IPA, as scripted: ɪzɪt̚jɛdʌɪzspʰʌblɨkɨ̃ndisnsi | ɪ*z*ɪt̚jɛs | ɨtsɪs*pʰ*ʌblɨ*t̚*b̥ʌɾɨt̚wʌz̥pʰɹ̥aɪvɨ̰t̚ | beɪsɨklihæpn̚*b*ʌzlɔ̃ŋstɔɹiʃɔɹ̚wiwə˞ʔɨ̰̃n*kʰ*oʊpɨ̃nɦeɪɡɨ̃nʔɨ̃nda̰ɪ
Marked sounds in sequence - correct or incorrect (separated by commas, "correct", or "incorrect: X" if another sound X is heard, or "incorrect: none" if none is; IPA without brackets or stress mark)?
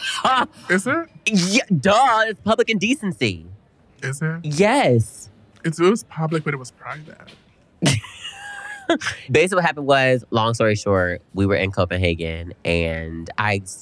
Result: correct, correct, incorrect: k̚, incorrect: w, correct